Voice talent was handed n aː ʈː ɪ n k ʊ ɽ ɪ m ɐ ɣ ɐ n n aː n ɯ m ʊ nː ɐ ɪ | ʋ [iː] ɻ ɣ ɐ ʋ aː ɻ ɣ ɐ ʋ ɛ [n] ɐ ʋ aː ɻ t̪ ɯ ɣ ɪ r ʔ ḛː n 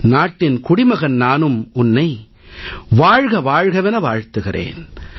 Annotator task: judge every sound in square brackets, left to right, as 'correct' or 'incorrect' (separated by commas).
incorrect, correct